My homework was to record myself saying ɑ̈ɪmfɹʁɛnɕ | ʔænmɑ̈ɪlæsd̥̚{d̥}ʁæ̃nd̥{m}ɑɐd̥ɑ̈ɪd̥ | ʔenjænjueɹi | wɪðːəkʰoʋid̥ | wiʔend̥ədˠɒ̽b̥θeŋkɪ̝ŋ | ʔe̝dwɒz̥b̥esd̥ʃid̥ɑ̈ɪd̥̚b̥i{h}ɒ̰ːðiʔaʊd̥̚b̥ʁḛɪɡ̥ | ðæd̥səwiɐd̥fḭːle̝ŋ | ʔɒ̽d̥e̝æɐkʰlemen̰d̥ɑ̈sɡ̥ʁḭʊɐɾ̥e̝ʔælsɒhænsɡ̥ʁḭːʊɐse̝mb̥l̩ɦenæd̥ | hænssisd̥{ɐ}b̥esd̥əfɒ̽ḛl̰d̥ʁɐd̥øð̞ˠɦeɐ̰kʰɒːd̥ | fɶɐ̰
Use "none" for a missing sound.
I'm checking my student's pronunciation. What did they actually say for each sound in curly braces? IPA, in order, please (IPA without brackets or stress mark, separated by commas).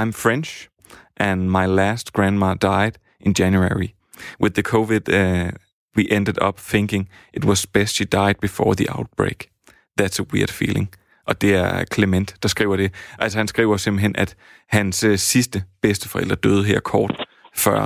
ɡ̥, m, f, ə